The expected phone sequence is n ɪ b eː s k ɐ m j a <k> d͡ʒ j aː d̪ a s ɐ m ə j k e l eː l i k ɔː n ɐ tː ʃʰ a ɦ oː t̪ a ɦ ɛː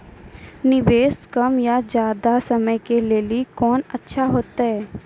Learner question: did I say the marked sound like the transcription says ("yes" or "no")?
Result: no